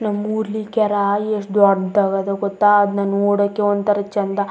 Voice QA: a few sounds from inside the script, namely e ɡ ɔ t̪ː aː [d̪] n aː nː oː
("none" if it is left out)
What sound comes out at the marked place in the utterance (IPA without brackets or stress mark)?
d̪